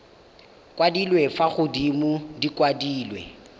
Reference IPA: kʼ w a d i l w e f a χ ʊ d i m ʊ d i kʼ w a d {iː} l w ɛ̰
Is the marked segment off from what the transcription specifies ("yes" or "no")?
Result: no